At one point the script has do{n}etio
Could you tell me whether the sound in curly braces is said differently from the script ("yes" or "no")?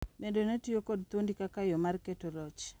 no